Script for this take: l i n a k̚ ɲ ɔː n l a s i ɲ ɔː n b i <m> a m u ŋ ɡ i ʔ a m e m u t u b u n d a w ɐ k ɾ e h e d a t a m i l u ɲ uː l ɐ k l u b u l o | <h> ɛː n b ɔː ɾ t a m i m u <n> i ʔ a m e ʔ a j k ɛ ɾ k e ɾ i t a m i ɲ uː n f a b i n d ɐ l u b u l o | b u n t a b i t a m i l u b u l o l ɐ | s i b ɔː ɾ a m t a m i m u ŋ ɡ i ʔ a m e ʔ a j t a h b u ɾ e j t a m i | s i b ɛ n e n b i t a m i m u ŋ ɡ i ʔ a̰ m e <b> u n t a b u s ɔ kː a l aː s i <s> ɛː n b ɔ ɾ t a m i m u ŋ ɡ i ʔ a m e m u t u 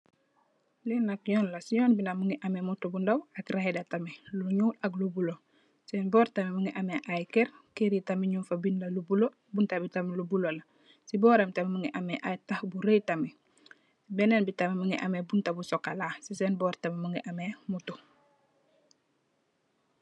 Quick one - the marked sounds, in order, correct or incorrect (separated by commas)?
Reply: incorrect, incorrect, incorrect, correct, correct